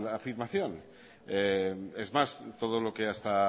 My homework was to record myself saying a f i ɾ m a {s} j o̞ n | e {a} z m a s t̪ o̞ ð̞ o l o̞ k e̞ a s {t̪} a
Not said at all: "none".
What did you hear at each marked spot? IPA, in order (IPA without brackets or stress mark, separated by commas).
θ, e, t̪